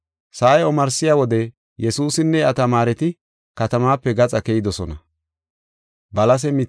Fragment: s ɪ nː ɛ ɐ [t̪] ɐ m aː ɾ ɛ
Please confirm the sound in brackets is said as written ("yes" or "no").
yes